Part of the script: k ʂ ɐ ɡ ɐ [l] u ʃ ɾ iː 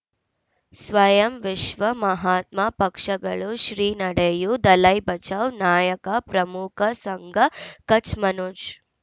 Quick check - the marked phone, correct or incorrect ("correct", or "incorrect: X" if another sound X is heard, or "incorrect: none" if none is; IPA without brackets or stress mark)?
incorrect: ɭ